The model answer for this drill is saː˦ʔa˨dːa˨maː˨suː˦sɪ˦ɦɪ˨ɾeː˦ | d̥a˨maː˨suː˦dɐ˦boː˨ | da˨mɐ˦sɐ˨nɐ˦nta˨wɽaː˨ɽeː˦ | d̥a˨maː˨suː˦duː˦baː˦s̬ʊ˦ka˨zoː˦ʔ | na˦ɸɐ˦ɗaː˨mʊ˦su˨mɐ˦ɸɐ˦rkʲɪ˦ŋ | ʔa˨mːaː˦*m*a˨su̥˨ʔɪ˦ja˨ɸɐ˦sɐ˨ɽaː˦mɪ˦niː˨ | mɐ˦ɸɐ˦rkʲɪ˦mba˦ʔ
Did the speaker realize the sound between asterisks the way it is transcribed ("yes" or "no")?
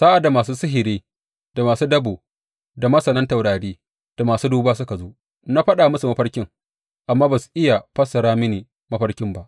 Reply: no